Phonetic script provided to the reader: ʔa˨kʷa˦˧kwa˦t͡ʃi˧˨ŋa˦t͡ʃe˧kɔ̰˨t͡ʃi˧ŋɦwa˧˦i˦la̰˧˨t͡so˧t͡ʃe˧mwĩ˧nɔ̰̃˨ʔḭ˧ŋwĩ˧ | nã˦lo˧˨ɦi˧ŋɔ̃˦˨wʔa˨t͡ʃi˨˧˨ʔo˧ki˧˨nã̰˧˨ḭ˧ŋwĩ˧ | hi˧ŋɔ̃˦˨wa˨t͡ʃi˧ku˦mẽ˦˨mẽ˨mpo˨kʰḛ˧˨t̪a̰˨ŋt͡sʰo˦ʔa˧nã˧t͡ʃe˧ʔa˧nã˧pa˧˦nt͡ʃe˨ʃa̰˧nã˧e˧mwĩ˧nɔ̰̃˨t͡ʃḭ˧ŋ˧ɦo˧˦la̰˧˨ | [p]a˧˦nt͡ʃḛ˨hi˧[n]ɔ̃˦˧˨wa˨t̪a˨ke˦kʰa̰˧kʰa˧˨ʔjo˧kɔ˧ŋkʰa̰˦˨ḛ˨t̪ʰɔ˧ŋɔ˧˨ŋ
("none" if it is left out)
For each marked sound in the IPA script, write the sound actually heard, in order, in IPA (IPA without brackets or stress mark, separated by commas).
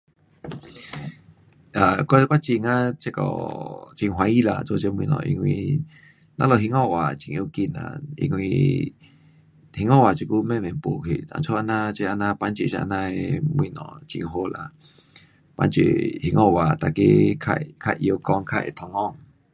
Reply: p, ŋ